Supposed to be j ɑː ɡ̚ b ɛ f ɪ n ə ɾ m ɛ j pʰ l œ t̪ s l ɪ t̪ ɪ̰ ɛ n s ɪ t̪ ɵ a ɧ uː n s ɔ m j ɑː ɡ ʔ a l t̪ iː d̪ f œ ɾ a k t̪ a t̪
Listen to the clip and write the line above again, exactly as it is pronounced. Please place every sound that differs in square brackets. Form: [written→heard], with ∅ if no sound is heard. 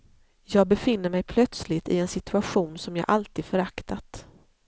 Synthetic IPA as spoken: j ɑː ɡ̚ b ɛ f ɪ [n→nː] ə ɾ m ɛ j pʰ l œ t̪ s l ɪ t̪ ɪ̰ ɛ n s ɪ t̪ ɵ a ɧ uː n s ɔ m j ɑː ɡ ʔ a l t̪ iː d̪ f œ ɾ a k t̪ a t̪